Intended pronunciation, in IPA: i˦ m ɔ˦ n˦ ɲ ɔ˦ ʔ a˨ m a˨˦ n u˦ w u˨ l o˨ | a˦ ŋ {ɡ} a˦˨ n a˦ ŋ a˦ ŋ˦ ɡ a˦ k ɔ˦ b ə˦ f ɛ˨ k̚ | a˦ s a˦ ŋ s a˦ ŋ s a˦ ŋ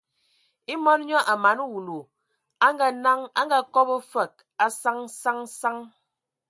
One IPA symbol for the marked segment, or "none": ɡ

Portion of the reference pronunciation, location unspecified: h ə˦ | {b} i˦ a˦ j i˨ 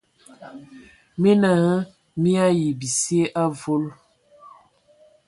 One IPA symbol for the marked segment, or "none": m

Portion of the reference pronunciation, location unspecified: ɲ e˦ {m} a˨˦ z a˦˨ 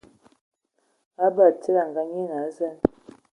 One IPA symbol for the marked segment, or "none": n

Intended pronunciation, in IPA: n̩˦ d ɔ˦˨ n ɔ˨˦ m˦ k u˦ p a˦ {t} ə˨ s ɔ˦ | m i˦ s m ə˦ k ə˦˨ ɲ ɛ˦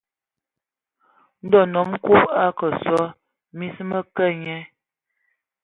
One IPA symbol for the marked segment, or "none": k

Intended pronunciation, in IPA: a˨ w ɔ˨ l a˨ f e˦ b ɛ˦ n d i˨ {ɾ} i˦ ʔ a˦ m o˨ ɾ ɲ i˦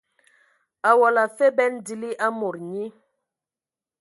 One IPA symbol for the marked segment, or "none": l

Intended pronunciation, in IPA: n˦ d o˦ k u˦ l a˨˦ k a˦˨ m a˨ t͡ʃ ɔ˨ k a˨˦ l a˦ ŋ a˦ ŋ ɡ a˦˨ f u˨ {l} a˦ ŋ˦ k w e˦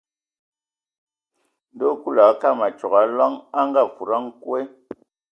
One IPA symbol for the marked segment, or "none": ɾ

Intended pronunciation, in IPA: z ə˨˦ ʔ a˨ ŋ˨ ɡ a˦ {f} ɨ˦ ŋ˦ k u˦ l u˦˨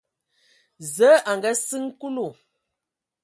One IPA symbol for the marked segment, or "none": s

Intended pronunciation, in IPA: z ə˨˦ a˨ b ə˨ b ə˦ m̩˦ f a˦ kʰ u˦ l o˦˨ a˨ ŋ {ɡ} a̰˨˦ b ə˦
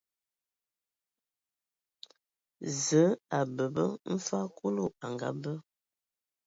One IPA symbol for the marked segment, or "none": ɡ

